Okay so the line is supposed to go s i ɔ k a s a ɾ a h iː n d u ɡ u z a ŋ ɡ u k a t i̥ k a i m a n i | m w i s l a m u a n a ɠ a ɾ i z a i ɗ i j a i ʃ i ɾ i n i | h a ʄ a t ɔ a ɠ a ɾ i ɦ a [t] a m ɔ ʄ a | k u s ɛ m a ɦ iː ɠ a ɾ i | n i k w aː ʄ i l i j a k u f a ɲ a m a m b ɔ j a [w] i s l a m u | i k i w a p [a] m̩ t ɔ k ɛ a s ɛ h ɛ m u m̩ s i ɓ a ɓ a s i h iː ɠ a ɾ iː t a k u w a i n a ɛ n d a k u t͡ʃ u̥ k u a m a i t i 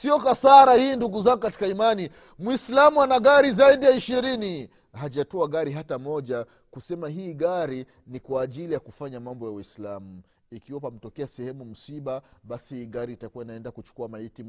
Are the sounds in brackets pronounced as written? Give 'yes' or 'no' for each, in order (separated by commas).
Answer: yes, yes, yes